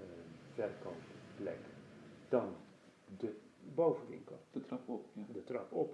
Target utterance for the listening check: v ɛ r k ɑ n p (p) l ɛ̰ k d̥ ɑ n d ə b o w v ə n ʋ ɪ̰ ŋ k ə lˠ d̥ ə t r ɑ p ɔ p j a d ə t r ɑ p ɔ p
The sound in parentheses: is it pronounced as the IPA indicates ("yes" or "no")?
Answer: yes